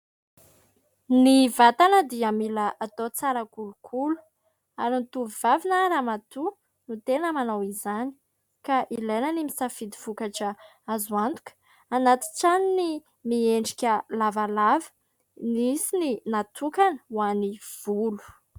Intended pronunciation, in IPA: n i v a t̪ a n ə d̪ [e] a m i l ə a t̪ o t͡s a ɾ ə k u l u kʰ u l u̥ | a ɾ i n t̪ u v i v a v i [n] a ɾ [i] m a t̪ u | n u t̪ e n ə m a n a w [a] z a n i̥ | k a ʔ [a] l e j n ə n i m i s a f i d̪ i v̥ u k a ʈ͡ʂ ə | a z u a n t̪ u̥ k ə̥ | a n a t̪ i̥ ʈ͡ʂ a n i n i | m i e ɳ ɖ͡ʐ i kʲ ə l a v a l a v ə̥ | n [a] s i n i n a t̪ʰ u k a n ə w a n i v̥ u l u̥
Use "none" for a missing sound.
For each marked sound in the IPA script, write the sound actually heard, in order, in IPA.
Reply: i, n, a, i, i, i

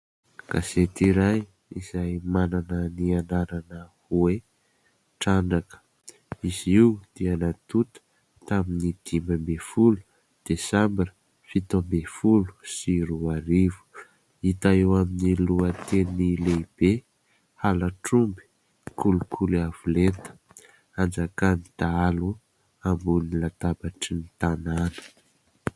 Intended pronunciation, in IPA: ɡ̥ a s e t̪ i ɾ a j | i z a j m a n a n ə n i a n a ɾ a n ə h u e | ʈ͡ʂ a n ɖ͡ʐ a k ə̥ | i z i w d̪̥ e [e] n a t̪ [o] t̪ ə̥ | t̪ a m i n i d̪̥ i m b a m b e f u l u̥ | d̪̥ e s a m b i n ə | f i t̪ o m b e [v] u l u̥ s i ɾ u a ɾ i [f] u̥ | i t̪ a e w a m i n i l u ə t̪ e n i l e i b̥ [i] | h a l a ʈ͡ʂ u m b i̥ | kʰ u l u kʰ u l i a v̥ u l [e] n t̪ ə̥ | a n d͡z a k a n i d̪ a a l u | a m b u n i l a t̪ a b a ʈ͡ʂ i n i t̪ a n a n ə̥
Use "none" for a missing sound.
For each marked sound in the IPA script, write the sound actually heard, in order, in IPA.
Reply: a, u, f, v, e, e

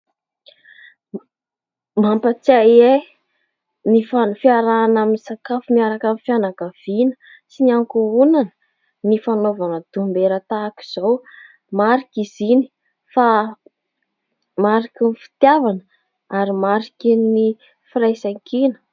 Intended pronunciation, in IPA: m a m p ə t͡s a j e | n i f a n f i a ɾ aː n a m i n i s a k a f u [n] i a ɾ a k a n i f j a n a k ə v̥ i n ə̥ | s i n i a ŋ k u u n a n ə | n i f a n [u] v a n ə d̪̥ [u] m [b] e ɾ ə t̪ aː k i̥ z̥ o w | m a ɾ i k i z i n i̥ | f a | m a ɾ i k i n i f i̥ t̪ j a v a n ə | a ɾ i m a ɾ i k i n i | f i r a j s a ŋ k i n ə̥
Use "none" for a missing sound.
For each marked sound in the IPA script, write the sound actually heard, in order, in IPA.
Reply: m, o, u, b

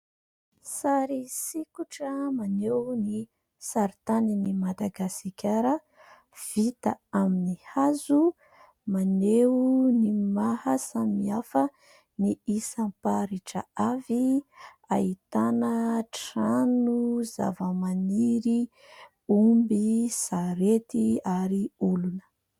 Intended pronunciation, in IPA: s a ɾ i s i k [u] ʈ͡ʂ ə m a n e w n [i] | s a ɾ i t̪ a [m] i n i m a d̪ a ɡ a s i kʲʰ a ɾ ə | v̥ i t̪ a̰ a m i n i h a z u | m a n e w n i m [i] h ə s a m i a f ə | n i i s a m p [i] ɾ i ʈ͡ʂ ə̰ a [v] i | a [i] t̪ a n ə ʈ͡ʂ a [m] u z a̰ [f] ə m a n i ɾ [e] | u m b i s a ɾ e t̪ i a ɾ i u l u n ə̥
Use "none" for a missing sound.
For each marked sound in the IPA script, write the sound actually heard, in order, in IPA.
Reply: u, i, n, a, a, v, i, n, v, i

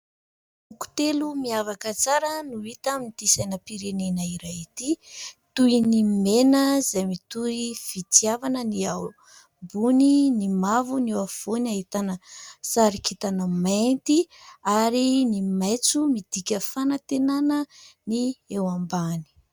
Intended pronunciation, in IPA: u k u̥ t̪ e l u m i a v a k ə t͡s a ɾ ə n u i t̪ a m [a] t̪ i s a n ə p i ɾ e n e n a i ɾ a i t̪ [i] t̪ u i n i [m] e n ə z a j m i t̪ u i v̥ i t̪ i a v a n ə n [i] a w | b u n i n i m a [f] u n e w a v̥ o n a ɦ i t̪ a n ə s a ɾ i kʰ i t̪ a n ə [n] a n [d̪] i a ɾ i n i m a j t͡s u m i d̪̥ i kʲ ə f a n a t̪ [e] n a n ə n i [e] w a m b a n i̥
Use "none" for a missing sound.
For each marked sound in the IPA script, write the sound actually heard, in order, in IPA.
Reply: i, i, m, i, v, m, t̪, e, e

